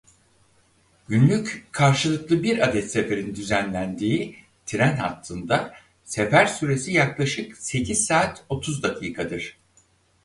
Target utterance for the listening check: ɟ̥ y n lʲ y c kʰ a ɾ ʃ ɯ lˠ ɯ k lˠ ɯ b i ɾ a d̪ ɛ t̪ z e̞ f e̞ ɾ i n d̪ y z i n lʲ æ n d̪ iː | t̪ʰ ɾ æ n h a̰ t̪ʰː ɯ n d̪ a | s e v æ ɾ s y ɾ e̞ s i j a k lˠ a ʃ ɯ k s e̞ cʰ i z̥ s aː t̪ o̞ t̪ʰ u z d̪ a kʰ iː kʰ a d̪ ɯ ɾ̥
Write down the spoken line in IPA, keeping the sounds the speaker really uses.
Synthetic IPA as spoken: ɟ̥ y n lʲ y c kʰ a ɾ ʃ ɯ lˠ ɯ k lˠ ɯ b i ɾ a d̪ ɛ t̪ s e̞ f e̞ ɾ i n d̪ y z æ n lʲ æ n d̪ iː | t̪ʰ ɾ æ n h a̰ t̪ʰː ɯ n d̪ a | s e f æ ɾ s y ɾ e̞ s i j a k lˠ a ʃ ɯ k s e̞ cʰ i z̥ s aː t̪ o̞ t̪ʰ u z d̪ a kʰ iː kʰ a d̪ ɯ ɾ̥